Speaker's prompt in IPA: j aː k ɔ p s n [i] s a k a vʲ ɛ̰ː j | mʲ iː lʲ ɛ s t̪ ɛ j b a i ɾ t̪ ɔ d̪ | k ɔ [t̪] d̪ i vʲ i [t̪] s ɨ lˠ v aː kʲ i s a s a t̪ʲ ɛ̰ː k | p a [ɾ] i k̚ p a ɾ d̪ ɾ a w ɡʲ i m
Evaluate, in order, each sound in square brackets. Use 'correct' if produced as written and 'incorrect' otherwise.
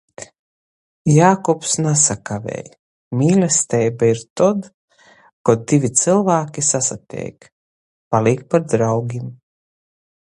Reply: incorrect, incorrect, correct, incorrect

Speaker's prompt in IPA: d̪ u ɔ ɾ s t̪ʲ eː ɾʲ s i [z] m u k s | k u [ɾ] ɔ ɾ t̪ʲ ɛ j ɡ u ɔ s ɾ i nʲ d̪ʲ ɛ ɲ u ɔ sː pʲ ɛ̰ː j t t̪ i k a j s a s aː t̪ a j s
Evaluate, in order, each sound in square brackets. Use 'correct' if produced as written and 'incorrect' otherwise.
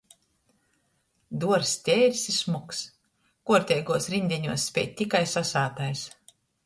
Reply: incorrect, incorrect

